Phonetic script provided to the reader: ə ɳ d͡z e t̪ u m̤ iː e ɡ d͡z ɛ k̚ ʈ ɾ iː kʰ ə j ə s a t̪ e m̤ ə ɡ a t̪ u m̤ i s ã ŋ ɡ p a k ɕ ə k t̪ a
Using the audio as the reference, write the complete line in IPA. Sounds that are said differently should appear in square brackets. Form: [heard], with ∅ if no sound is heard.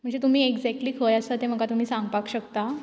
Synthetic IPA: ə ɳ d͡z e t̪ u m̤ iː e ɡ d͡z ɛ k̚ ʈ [l] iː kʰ ə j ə s a t̪ e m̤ ə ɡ a t̪ u m̤ [iː] s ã ŋ ɡ p a k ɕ ə k t̪ a